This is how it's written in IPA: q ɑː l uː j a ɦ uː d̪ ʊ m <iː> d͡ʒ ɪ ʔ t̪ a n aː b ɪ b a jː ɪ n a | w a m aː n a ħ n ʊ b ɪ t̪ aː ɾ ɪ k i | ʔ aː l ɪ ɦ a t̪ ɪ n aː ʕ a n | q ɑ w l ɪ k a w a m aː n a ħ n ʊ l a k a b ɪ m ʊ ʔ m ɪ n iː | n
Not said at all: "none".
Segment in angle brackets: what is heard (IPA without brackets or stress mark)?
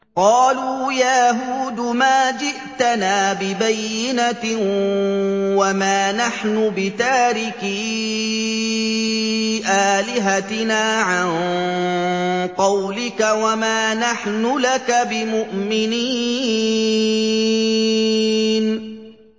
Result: aː